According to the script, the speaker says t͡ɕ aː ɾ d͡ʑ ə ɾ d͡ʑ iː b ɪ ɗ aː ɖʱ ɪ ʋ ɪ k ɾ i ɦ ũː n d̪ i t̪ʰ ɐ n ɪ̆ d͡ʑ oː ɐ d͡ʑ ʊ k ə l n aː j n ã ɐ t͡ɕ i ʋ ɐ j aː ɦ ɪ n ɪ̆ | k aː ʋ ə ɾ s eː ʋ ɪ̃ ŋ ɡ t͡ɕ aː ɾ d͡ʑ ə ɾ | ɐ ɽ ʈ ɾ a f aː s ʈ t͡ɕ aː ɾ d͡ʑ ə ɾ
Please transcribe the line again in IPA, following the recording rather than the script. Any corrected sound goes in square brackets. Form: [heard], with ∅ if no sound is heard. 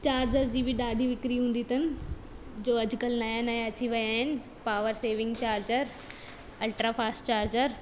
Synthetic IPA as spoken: t͡ɕ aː ɾ d͡ʑ ə ɾ d͡ʑ iː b ɪ ɗ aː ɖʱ [i] ʋ ɪ k ɾ i ɦ ũː n d̪ i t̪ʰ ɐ n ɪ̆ d͡ʑ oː ɐ d͡ʑ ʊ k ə l n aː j n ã ɐ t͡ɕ i ʋ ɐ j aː ɦ ɪ n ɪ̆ | [p] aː ʋ ə ɾ s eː ʋ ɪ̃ ŋ ɡ t͡ɕ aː ɾ d͡ʑ ə ɾ | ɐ [l] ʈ ɾ a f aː s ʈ t͡ɕ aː ɾ d͡ʑ ə ɾ